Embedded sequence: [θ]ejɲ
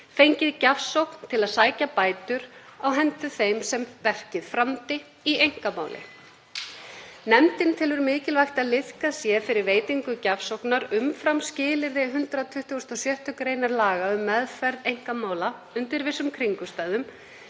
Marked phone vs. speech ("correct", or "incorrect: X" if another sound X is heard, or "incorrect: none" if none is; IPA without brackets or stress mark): incorrect: f